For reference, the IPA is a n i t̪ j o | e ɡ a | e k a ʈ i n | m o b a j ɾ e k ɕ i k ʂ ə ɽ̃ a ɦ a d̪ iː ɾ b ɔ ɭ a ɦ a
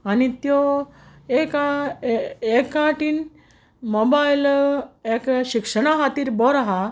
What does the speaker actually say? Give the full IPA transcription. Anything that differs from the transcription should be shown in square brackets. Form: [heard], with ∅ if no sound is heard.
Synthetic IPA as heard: a n i t̪ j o | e [k] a | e k a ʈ i n | m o b a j [l] e k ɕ i k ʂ ə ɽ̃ a ɦ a [t̪] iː ɾ b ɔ [ɾ] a ɦ a